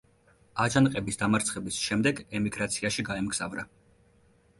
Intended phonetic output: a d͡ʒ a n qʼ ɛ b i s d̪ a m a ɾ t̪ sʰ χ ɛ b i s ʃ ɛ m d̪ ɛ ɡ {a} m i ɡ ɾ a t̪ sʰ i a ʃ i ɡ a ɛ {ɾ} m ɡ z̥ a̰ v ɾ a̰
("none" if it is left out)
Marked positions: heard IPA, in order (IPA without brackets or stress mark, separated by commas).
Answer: ɛ, none